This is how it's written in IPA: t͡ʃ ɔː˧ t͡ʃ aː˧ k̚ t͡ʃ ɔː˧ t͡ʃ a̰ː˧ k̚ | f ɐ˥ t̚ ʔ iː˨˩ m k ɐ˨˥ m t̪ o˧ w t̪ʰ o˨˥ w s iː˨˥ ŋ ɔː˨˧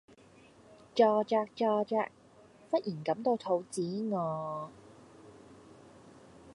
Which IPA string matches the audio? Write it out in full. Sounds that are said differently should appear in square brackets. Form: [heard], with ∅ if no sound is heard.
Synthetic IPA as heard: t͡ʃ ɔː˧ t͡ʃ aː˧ k̚ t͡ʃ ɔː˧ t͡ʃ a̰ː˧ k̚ | f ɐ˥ t̚ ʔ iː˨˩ [n] k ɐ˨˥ m t̪ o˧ w t̪ʰ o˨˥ w [t͡s] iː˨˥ ŋ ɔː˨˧